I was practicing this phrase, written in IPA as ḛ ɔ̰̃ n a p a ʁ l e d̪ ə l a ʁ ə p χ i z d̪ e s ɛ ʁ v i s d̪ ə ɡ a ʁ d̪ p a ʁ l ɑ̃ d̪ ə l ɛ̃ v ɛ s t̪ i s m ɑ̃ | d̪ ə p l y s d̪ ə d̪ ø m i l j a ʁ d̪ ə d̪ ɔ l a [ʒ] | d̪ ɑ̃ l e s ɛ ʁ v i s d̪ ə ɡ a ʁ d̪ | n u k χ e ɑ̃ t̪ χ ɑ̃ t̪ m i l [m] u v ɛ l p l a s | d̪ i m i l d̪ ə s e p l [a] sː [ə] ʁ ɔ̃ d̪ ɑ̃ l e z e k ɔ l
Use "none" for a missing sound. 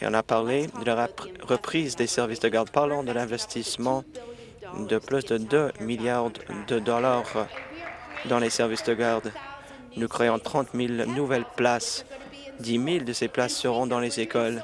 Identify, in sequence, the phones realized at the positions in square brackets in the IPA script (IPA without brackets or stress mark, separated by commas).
ʁ, n, a, ə